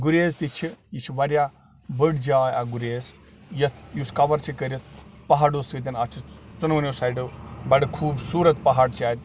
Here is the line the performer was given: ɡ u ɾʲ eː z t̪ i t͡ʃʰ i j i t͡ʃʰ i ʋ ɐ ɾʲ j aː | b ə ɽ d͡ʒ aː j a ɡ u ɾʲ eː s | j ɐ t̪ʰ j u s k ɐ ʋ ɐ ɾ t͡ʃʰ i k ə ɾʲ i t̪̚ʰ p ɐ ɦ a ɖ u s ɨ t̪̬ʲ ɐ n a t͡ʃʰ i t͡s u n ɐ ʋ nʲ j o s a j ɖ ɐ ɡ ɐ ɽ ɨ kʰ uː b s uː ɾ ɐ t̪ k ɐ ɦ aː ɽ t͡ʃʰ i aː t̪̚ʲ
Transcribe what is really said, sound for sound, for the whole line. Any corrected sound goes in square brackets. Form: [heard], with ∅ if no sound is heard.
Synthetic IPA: ɡ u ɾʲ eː z t̪ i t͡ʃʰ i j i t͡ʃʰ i ʋ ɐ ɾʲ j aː | b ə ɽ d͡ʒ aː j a ɡ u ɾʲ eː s | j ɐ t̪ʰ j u s k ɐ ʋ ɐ ɾ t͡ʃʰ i k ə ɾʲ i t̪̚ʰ p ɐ ɦ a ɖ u s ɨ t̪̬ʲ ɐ n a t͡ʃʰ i t͡s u n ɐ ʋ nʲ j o s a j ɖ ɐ [b] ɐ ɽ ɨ kʰ uː b s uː ɾ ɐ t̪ [p] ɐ ɦ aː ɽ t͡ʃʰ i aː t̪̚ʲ

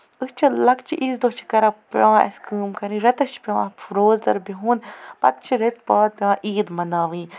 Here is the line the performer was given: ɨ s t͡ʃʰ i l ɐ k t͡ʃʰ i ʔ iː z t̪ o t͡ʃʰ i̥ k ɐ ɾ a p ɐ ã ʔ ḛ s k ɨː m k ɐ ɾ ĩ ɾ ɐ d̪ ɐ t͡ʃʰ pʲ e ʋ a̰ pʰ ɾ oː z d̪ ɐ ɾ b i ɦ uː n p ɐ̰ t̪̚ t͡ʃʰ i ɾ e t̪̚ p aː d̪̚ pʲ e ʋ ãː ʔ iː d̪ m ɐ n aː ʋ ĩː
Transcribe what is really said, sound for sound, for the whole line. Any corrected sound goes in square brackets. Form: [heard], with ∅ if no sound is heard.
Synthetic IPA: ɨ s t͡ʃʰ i l ɐ k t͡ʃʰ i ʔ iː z [d̪] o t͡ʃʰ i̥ k ɐ ɾ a p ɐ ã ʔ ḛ s k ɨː m k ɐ ɾ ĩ ɾ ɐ [t̪] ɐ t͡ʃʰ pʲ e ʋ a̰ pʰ ɾ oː z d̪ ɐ ɾ b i ɦ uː n p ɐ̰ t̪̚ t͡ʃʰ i ɾ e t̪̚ p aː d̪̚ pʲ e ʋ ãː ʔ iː d̪ m ɐ n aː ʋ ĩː

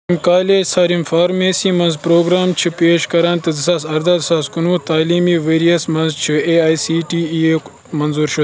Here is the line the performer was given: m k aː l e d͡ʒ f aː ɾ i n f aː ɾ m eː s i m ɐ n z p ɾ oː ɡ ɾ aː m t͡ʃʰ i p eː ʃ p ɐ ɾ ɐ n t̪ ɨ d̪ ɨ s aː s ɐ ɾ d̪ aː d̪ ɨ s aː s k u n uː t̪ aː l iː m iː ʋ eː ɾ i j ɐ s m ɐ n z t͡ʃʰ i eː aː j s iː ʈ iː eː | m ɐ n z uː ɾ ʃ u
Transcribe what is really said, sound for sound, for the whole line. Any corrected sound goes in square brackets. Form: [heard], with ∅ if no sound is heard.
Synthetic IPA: m k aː l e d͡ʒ [s] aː ɾ i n f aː ɾ m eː s i m ɐ n z p ɾ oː ɡ ɾ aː m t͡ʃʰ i p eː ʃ [k] ɐ ɾ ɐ n t̪ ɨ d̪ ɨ s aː s ɐ ɾ d̪ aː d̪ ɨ s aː s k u n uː t̪ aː l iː m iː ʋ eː ɾ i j ɐ s m ɐ n z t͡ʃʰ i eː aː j s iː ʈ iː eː | m ɐ n z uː ɾ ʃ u

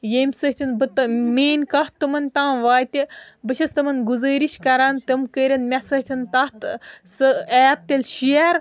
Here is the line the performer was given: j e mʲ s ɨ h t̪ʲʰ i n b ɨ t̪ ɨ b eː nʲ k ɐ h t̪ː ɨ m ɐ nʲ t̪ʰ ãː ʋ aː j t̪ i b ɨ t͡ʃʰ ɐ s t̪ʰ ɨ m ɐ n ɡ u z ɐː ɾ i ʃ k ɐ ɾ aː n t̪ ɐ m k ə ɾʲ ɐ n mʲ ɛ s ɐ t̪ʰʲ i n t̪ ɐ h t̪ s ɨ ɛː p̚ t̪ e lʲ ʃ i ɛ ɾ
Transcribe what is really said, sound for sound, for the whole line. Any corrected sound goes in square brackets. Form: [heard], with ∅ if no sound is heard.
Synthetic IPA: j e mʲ s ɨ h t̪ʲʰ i n b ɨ t̪ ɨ [m] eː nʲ k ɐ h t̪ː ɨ m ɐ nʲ [t̪] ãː ʋ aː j t̪ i b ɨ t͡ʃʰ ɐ s [t̪] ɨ m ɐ n ɡ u z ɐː ɾ i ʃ k ɐ ɾ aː n t̪ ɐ m k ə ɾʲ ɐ n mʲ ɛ s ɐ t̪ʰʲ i n t̪ ɐ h t̪ s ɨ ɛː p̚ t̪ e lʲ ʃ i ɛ ɾ

